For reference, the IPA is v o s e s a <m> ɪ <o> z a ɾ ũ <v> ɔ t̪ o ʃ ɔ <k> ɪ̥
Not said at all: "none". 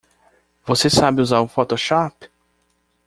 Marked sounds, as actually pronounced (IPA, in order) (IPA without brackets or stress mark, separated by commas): b, u, f, p